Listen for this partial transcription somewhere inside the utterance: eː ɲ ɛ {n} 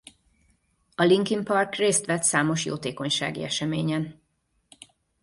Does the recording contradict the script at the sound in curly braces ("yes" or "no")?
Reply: no